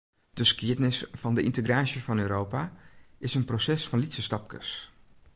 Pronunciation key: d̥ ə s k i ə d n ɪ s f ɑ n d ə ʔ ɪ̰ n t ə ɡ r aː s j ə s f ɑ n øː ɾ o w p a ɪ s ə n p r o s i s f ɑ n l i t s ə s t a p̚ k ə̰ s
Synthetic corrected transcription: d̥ ə s k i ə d n ɪ s f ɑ n d ə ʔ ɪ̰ n t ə ɡ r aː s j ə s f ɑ n øː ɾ o w p a ɪ s ə n p r o s ɛ s f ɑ n l i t s ə s t ɑ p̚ k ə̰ s